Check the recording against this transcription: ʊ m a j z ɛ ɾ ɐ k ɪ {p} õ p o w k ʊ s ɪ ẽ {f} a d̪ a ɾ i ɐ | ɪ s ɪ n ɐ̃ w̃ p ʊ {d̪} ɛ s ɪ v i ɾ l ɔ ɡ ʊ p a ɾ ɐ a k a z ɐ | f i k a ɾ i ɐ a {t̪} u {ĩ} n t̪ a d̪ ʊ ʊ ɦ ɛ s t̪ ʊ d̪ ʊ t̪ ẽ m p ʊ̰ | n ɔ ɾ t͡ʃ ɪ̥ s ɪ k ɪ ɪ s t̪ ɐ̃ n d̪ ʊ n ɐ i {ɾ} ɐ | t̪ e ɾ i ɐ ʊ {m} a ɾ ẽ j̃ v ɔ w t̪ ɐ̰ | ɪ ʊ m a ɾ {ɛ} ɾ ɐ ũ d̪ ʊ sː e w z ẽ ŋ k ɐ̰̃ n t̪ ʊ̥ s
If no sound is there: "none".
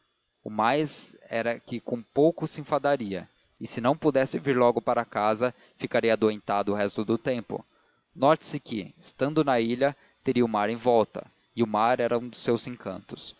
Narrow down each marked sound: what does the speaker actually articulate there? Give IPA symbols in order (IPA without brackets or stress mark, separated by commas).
k, f, d̪, d̪, ẽ, ʎ, m, ɛ